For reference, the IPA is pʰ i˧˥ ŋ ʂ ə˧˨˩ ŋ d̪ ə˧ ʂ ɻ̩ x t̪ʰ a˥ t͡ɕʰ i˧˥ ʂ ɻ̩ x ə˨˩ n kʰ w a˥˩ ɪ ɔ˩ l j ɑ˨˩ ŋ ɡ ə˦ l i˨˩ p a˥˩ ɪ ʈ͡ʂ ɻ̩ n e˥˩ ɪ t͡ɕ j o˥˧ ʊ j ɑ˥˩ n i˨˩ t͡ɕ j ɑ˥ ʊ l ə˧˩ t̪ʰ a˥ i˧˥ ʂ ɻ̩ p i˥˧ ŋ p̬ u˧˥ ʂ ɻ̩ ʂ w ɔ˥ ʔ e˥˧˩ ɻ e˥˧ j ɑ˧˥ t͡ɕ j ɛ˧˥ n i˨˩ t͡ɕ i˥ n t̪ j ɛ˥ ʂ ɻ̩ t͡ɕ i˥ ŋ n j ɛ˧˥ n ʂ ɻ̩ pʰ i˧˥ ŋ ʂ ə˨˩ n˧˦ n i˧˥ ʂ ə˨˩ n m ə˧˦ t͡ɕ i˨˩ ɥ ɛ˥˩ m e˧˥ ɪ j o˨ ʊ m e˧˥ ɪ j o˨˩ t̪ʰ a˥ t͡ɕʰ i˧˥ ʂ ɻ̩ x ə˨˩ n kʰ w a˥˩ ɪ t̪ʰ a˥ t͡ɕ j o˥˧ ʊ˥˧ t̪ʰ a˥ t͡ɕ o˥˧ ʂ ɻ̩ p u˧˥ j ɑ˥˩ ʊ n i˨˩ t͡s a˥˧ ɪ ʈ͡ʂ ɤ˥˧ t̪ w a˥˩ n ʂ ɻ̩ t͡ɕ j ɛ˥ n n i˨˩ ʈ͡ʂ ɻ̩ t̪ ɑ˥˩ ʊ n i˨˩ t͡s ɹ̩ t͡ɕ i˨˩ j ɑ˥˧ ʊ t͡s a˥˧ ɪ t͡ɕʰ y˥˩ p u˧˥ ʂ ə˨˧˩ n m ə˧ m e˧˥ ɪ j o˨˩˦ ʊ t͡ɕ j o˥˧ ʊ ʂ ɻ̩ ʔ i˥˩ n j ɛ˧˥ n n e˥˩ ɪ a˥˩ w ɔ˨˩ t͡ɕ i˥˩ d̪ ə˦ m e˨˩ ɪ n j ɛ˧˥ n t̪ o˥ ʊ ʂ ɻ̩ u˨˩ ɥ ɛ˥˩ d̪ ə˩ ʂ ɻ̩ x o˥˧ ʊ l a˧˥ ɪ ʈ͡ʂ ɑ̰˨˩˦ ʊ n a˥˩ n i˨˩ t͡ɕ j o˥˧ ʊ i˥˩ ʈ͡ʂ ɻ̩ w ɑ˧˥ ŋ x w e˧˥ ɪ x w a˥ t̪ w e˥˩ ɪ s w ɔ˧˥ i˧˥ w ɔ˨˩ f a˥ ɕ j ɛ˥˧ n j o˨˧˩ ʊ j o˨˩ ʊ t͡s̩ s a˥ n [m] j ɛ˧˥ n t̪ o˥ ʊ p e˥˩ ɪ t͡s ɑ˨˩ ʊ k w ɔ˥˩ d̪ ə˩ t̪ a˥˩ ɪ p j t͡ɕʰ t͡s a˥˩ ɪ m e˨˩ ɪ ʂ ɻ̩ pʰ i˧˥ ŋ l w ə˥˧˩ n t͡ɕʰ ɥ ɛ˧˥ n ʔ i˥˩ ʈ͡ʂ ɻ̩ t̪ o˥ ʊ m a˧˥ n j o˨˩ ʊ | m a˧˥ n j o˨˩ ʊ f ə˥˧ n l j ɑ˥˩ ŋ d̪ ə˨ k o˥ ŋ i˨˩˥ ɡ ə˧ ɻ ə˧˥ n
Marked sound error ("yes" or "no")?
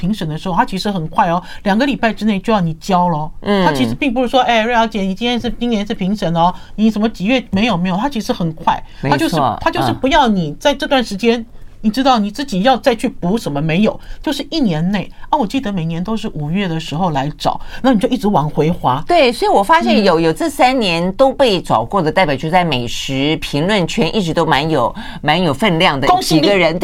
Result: yes